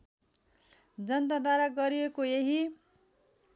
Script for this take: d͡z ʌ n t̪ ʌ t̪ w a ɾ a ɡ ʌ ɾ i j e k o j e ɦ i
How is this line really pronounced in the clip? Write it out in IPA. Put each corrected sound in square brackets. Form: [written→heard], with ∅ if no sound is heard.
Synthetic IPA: d͡z ʌ n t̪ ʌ [t̪→d̪] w a ɾ a ɡ ʌ ɾ i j e k o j e ɦ i